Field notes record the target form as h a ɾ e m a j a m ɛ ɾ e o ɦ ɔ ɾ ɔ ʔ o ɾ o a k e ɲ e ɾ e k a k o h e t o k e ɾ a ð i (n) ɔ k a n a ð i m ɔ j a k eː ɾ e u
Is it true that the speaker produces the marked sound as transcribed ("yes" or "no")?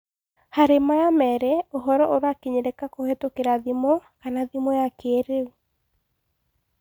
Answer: no